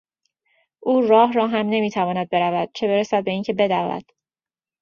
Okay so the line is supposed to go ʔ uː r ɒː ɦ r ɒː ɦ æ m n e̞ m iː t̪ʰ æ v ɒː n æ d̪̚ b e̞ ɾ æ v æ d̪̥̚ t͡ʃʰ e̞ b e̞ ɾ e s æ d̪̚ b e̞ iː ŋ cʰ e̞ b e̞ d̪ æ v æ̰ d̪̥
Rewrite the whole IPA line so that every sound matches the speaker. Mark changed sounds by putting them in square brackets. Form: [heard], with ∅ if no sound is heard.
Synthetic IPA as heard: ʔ uː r ɒː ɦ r ɒː ɦ æ m n e̞ m iː t̪ʰ æ v ɒː n æ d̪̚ b e̞ ɾ æ v æ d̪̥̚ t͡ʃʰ e̞ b e̞ ɾ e s æ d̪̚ b e̞ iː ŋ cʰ e̞ b e̞ d̪ æ v æ̰ d̪̥